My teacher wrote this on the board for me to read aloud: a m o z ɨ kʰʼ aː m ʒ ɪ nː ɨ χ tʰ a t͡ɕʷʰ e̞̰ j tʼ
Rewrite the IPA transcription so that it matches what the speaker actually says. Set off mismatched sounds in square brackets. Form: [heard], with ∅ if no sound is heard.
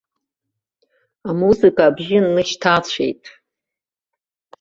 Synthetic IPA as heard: a m [u] z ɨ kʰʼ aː [b] ʒ ɪ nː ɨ [ʃ] tʰ a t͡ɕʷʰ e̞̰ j tʼ